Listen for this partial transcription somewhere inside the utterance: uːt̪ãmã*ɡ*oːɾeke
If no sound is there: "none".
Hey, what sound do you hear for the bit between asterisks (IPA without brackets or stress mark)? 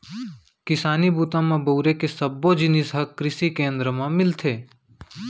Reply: b